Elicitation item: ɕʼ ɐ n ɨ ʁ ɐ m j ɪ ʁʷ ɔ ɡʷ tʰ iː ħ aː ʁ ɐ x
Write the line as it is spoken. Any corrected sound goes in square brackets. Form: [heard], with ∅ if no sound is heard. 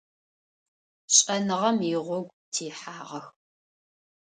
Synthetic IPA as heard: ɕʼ ɐ n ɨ ʁ ɐ m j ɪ ʁʷ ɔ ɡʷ tʰ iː ħ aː ʁ ɐ x